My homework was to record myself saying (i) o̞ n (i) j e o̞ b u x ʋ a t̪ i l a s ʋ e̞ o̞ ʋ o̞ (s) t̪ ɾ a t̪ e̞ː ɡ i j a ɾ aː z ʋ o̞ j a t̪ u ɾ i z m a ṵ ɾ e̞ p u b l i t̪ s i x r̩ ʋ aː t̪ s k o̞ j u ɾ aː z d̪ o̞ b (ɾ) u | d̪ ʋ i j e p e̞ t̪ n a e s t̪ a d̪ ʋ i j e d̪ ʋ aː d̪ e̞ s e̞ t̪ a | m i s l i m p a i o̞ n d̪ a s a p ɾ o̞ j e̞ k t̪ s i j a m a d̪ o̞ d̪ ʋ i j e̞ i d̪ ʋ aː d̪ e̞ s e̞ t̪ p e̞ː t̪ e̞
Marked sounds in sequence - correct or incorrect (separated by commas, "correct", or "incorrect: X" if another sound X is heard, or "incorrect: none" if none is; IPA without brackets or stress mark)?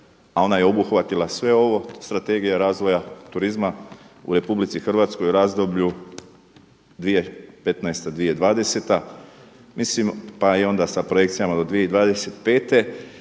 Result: incorrect: a, incorrect: a, correct, incorrect: ʎ